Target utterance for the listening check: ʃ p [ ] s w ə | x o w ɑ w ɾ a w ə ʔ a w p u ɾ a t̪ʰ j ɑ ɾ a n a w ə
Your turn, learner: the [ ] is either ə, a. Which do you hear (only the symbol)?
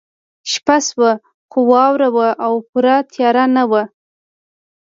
a